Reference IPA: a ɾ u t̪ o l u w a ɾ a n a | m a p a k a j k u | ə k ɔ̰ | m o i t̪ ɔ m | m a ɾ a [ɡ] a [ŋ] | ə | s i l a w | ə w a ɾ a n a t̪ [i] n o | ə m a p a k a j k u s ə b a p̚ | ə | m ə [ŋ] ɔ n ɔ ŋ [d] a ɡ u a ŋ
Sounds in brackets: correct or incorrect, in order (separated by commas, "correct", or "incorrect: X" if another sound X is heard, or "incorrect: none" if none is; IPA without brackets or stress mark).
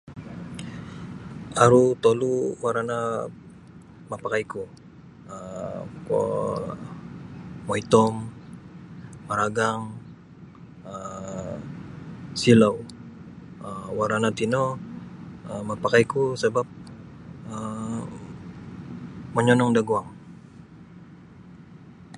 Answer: correct, correct, correct, incorrect: ɲ, correct